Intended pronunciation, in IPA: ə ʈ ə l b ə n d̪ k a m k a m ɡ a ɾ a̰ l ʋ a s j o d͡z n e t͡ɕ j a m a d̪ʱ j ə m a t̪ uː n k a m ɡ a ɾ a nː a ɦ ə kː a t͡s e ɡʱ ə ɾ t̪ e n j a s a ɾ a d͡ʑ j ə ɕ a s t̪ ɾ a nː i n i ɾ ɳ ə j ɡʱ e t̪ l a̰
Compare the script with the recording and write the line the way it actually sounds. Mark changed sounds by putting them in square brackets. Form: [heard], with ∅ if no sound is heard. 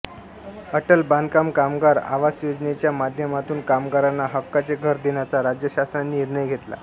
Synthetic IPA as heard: ə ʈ ə l b [a] n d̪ k a m k a m ɡ a ɾ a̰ [∅] ʋ a s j o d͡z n e t͡ɕ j a m a d̪ʱ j ə m a t̪ uː n k a m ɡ a ɾ a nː a ɦ ə kː a t͡s e ɡʱ ə ɾ [d̪] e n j a [t͡s] a ɾ a d͡ʑ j ə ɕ a s t̪ ɾ a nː i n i ɾ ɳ ə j ɡʱ e t̪ l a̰